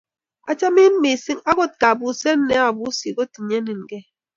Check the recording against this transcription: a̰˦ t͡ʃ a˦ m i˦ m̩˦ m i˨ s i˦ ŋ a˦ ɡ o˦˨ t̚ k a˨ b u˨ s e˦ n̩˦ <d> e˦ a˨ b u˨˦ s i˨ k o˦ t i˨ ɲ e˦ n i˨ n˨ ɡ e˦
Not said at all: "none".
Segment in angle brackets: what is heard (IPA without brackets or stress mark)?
n